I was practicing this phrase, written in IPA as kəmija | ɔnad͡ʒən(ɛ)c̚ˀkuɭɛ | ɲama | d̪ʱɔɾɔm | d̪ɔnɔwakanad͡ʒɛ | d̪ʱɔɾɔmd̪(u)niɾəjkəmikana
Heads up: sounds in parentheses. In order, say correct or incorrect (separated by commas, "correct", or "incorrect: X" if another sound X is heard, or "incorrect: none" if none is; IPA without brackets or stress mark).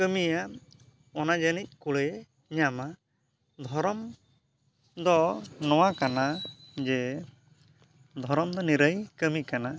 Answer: incorrect: i, incorrect: ɔ